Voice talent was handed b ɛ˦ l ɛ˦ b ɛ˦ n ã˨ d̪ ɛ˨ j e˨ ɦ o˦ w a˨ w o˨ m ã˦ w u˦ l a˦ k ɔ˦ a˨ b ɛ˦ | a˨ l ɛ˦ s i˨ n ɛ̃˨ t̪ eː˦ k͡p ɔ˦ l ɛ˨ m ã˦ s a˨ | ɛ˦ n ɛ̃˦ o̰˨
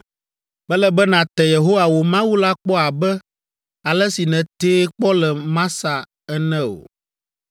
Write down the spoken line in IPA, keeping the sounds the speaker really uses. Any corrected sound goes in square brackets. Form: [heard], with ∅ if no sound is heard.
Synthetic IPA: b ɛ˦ l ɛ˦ b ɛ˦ n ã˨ [t̪] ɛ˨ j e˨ ɦ o˦ w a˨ w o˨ m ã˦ w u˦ l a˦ [k͡p] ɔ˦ a˨ b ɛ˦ | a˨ l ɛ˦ s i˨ n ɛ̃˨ t̪ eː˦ k͡p ɔ˦ l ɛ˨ m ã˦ s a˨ | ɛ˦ n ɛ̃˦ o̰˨